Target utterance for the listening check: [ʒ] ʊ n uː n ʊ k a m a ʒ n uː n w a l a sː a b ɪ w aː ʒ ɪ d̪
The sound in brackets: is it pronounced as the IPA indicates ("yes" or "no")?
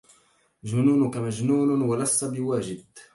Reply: yes